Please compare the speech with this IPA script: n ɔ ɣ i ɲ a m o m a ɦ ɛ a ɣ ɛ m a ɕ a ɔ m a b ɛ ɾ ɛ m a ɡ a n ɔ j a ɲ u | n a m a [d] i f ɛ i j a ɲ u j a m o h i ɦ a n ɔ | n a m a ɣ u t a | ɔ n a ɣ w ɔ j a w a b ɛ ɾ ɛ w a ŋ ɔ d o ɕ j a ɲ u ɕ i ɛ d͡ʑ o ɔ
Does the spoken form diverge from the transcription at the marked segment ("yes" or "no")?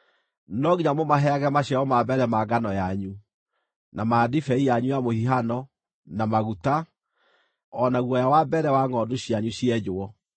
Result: no